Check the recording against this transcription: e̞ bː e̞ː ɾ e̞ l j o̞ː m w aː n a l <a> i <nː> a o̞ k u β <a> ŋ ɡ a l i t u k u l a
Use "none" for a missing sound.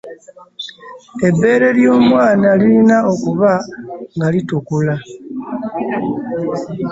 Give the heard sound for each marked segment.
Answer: i, n, a

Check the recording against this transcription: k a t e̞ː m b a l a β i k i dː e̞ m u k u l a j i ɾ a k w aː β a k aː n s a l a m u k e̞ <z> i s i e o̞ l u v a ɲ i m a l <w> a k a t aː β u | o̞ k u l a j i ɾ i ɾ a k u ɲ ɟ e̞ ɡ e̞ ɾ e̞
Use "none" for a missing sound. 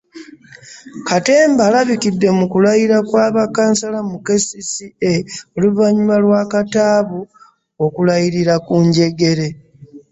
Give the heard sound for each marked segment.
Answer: s, w

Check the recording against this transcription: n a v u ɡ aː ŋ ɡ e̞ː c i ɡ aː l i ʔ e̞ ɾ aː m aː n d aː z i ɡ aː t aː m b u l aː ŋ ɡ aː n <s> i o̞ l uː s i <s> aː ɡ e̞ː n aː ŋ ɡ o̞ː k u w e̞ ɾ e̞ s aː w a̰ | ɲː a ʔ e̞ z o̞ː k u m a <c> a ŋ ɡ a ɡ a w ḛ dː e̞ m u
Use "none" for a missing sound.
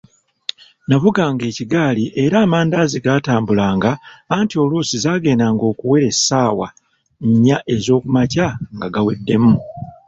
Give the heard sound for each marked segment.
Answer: t, z, c

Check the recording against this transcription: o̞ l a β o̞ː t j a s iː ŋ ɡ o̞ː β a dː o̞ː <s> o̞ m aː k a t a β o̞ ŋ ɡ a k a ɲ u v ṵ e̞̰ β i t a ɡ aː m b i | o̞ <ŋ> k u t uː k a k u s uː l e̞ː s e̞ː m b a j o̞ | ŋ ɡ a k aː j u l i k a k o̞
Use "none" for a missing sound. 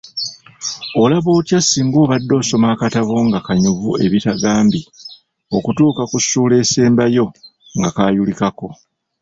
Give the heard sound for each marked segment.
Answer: s, none

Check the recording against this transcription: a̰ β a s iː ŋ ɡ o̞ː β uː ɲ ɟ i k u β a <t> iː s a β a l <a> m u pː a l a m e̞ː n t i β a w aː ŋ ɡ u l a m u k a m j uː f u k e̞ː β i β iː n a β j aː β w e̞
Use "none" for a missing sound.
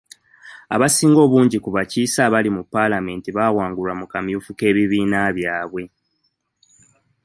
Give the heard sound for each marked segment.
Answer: c, i

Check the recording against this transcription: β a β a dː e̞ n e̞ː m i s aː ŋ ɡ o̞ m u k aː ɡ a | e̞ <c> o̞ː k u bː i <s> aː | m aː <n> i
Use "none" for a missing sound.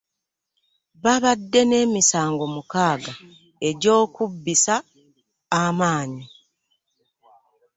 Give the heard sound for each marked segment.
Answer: ɟ, s, ɲ

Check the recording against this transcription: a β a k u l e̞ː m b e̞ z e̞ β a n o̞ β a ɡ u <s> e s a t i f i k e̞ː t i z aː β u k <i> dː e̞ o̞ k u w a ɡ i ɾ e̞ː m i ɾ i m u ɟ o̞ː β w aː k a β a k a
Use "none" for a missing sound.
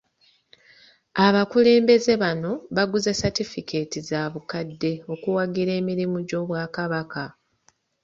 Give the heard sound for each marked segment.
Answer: z, a

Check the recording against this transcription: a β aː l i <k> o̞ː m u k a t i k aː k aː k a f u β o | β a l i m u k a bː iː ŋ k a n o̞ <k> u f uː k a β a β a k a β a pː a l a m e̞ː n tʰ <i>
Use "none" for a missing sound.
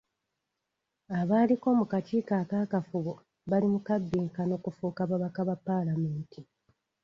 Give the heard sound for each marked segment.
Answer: k, k, i

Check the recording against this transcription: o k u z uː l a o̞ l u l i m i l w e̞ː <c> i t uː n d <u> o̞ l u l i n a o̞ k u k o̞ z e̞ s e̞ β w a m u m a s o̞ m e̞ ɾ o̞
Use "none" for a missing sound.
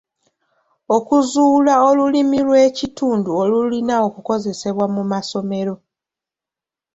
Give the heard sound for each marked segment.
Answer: c, u

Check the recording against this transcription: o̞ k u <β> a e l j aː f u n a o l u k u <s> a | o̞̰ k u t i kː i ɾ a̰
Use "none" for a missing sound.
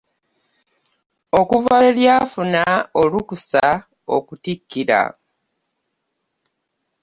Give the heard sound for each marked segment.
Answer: v, s

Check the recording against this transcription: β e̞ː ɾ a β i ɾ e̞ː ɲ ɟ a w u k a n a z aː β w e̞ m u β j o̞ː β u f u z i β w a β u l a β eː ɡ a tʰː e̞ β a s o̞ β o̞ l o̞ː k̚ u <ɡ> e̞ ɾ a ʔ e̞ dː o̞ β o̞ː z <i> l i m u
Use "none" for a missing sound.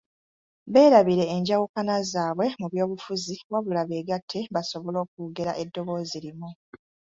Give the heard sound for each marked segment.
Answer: ɡ, i

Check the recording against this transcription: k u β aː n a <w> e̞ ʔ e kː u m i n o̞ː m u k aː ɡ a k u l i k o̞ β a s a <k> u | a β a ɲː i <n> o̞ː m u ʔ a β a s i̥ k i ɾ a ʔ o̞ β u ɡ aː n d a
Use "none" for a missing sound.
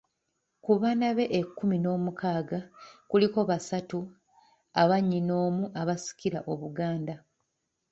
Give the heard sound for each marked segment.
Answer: β, t, n

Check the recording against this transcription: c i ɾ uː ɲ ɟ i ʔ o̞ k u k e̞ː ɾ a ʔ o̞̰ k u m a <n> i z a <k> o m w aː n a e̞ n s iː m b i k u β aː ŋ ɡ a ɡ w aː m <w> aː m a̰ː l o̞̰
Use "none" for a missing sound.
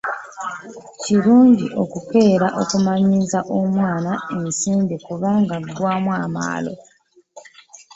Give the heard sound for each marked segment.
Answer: ɲ, ʔ, w

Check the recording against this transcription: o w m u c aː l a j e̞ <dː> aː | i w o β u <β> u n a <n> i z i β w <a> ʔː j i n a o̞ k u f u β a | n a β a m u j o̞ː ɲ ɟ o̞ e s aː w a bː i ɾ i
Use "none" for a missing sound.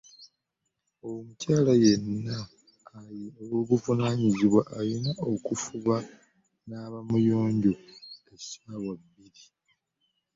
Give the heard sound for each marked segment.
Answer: nː, v, ɲ, a

